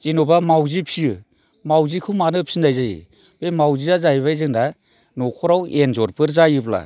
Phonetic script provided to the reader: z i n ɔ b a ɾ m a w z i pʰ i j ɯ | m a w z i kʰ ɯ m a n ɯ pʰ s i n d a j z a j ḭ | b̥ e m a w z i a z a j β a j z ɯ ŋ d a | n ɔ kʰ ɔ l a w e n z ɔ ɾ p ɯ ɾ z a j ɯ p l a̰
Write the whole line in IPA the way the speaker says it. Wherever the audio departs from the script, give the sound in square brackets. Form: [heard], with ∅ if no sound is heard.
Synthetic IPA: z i n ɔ b a [∅] m a w z i pʰ i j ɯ | m a w z i kʰ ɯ m a n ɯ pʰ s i n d a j z a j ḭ | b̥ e m a w z i a z a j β a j z ɯ ŋ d a | n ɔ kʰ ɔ [ɾ] a w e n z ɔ ɾ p ɯ ɾ z a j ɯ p l a̰